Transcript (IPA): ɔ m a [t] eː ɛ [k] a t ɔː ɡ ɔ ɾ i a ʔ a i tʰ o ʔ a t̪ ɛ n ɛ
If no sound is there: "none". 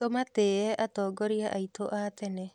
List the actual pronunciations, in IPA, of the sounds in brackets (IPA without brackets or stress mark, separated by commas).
t, ʔ